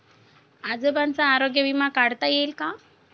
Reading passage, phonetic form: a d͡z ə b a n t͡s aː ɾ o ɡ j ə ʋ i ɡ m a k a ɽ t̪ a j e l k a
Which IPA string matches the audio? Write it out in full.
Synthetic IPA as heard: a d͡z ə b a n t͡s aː ɾ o ɡ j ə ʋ i m a k a ɽ t̪ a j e l k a